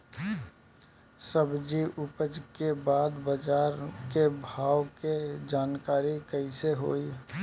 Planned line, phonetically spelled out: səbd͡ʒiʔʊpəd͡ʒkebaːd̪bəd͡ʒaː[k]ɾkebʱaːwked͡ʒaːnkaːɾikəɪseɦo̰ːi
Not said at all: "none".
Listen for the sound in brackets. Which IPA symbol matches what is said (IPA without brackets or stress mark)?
none